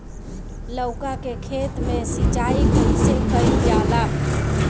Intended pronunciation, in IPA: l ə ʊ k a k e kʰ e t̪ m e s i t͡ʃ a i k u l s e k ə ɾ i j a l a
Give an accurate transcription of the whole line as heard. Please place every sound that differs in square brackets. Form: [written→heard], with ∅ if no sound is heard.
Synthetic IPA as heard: l ə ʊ k a k e kʰ e t̪ m e s i t͡ʃ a i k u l s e k ə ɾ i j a l a